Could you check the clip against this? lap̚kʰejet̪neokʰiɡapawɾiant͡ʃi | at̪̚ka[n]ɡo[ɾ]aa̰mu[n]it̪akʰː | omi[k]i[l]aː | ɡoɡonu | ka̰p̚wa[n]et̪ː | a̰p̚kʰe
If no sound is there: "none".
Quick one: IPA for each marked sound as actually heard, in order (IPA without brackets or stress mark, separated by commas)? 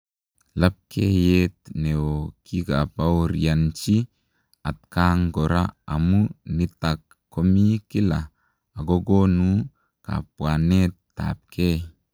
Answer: ŋ, ɾ, n, k, l, n